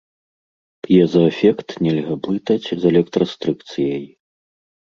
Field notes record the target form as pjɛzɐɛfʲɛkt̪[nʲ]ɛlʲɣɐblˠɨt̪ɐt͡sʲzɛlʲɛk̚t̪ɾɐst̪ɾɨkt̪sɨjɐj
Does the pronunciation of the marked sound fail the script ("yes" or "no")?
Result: no